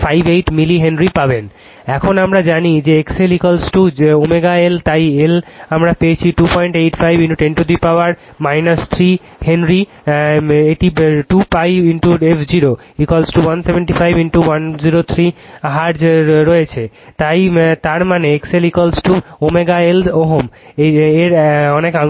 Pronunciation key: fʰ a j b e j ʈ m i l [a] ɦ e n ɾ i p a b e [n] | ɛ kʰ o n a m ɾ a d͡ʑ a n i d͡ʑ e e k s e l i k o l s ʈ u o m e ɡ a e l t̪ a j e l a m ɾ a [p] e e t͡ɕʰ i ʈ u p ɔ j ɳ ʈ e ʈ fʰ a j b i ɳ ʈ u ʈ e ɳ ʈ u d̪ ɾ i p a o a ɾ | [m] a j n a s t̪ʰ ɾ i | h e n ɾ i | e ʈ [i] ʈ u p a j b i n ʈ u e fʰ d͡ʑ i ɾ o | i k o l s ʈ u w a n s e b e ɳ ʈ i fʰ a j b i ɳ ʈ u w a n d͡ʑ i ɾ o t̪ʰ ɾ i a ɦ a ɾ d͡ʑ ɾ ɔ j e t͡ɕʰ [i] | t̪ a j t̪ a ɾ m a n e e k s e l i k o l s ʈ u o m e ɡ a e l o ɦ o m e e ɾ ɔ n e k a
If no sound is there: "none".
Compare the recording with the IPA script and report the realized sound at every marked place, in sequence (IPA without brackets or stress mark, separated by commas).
i, n, p, m, i, e